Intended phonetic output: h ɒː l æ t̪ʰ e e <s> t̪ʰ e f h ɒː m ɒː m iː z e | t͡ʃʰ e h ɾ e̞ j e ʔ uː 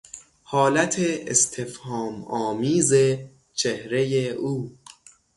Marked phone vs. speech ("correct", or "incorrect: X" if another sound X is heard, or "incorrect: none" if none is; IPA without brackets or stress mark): correct